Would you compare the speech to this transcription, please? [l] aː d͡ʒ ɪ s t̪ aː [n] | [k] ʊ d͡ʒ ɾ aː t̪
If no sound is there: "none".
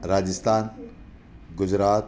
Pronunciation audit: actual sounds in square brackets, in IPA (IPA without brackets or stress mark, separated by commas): ɾ, n, ɡ